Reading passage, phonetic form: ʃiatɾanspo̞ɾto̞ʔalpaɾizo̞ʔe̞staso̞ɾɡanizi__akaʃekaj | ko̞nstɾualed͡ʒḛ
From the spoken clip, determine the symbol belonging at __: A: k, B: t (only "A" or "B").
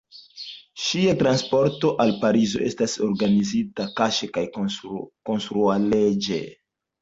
B